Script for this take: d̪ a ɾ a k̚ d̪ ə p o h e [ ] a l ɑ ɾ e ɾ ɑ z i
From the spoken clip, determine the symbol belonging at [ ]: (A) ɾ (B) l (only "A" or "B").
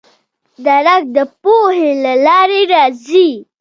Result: B